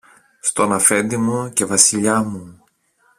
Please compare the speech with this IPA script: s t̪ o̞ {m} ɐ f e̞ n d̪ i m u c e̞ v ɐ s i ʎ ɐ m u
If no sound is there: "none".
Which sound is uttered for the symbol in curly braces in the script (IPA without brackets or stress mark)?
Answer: n